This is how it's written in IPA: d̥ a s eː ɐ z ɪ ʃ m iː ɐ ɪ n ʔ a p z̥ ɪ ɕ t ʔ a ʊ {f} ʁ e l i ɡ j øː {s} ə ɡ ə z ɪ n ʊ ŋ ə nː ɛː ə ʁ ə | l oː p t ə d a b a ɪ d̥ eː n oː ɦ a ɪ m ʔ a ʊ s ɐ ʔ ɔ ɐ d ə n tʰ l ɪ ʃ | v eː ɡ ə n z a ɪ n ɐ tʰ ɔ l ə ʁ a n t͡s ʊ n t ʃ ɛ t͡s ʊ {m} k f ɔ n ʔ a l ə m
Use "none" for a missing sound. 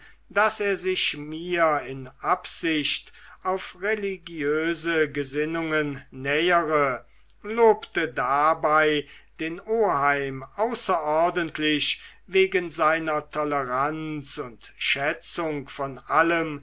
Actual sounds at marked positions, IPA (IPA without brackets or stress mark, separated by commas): f, z, ŋ